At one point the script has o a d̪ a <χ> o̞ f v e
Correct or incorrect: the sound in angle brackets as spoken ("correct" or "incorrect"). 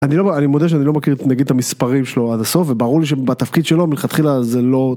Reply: incorrect